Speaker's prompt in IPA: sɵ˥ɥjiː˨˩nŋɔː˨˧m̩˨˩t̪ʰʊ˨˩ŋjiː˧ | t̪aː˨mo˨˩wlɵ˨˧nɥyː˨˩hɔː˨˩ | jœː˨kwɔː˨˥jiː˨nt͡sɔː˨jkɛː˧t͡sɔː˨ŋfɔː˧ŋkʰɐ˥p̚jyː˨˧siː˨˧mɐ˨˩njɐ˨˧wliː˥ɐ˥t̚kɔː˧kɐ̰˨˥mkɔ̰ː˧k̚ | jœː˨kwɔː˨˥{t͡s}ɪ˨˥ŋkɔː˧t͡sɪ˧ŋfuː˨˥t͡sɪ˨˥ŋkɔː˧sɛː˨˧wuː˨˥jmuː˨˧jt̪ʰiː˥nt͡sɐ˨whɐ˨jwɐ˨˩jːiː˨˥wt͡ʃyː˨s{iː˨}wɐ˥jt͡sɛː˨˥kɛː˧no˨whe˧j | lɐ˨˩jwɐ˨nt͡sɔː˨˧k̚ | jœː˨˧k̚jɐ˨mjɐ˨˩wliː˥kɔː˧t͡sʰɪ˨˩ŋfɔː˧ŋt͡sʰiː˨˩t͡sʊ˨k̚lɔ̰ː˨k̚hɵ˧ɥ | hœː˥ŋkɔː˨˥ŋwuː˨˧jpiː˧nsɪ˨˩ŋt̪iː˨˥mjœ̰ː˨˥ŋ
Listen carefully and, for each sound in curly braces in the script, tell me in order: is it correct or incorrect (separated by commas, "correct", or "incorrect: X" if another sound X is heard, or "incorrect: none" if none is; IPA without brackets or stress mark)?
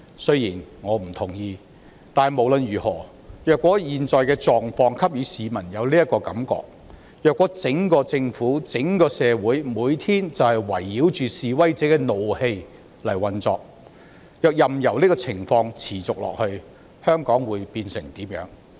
correct, correct